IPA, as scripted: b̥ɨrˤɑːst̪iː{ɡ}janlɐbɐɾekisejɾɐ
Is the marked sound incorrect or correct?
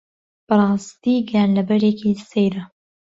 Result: correct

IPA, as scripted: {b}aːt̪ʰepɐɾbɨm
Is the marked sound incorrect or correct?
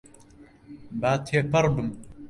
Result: correct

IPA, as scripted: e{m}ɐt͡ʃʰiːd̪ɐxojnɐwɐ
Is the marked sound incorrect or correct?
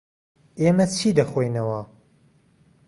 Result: correct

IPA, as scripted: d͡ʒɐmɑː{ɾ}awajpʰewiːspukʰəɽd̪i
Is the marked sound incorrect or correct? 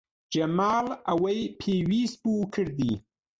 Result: incorrect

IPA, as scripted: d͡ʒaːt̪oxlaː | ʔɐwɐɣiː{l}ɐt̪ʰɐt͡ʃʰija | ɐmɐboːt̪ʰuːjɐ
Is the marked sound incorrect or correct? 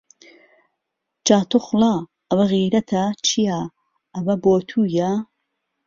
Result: incorrect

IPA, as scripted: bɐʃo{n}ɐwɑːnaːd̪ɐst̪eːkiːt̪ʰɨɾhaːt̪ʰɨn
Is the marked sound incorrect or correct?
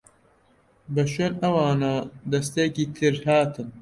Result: correct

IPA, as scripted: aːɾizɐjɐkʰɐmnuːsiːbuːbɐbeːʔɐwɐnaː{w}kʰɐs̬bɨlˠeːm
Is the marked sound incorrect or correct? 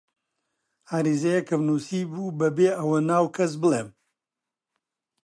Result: correct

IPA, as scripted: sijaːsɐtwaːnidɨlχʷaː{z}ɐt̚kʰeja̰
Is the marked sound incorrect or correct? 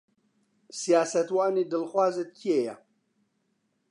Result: correct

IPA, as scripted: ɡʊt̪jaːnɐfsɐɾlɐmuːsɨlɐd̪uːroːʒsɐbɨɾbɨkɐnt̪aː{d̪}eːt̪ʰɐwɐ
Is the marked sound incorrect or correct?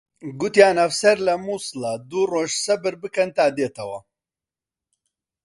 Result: correct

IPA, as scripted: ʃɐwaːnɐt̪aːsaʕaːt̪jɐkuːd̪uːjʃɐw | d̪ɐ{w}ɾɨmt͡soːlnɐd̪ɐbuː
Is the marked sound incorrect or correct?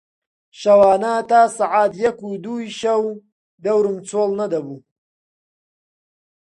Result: correct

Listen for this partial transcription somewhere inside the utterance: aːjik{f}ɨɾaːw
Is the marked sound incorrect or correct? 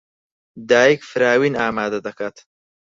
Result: correct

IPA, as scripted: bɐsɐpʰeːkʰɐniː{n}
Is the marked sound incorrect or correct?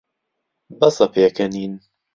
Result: correct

